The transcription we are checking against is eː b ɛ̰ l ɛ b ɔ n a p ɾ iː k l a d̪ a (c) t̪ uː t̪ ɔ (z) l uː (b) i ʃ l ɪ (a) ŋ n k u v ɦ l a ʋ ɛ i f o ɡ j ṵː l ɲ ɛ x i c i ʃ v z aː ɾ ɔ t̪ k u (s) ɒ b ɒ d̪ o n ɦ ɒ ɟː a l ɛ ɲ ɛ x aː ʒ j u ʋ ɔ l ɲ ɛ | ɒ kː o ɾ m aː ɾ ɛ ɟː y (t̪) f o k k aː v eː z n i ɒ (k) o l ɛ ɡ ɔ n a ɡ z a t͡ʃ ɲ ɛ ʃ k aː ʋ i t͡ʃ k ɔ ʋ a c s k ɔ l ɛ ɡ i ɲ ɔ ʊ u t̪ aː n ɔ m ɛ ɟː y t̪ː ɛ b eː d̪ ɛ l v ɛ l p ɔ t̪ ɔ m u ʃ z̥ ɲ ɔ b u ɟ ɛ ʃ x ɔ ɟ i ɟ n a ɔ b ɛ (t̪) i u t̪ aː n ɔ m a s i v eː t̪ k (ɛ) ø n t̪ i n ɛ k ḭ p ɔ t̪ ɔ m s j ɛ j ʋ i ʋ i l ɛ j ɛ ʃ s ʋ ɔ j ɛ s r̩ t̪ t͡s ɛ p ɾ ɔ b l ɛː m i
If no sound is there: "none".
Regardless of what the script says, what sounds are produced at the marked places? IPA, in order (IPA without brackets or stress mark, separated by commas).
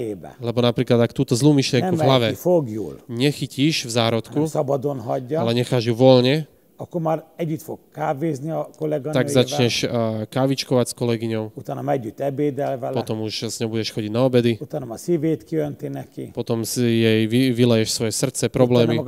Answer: k, z, m, ɛ, s, t̪, k, d̪, i